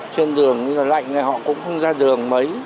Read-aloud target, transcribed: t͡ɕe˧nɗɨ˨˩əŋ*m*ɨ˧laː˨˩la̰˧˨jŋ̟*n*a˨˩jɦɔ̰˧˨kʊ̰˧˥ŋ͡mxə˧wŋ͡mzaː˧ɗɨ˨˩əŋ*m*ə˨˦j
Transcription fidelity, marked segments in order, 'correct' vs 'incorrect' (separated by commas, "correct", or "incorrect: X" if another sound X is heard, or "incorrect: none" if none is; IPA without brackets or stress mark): incorrect: ɲ, correct, correct